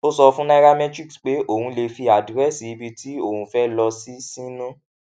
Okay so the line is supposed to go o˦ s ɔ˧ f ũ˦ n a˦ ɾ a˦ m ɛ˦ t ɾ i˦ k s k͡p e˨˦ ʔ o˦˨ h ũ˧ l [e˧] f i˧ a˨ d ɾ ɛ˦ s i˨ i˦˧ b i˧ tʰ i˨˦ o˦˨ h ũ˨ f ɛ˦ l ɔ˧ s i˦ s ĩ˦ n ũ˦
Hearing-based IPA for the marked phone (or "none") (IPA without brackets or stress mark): e˧